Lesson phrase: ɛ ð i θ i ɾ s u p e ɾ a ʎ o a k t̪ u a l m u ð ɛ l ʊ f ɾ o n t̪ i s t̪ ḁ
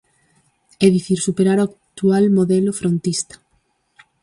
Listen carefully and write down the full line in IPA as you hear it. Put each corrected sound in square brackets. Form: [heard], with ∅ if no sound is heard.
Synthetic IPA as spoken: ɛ ð i θ i ɾ s u p e ɾ a [ɾ] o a k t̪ u a l m [o] ð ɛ l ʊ f ɾ o n t̪ i s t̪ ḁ